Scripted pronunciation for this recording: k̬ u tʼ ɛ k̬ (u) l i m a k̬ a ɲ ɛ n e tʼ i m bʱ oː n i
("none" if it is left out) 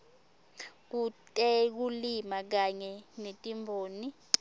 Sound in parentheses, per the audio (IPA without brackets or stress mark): u